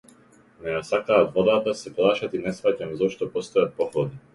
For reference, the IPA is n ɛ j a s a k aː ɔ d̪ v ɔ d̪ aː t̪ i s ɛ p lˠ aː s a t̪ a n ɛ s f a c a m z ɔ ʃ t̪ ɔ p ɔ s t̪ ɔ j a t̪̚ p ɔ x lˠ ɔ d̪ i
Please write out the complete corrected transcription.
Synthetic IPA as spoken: n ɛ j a s a k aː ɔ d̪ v ɔ d̪ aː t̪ a s ɛ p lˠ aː ʃ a t̪ i n ɛ s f a c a m z ɔ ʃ t̪ ɔ p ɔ s t̪ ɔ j a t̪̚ p ɔ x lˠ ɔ d̪ i